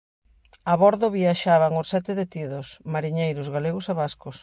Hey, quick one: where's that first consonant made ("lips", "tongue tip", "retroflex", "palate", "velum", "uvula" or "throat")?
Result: lips